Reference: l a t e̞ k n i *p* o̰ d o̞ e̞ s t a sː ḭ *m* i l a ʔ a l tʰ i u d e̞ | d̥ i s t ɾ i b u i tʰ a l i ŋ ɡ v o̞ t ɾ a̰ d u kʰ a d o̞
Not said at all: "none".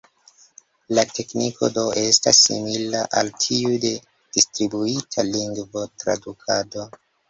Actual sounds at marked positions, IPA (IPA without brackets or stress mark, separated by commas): k, m